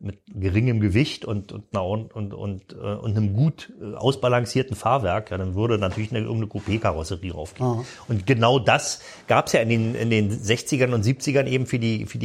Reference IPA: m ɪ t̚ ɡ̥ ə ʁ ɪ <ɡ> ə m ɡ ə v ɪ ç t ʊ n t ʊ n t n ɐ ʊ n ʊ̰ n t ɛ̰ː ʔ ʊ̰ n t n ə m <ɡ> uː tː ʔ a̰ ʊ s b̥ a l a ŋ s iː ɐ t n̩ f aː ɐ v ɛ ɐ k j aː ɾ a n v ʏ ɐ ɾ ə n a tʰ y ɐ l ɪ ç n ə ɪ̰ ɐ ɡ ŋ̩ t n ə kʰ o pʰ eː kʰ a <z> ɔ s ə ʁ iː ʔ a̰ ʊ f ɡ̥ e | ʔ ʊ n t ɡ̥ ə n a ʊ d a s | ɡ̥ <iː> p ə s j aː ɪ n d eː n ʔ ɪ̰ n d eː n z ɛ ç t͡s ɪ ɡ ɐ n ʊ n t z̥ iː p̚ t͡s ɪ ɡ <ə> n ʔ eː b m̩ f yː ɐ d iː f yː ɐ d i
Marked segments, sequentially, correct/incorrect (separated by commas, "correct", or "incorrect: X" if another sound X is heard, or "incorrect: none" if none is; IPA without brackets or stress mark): incorrect: ŋ, correct, incorrect: ʁ, incorrect: aː, incorrect: ɐ